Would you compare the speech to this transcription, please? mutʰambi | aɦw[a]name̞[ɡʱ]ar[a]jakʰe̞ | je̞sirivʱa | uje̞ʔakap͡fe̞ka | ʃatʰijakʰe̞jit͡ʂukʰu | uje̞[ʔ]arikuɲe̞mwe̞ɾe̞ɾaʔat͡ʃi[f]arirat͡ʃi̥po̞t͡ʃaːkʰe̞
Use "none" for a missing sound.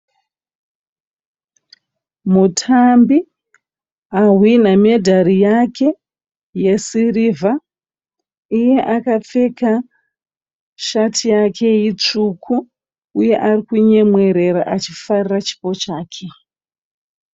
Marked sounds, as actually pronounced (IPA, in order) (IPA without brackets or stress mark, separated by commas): i, dʱ, i, ʔ, f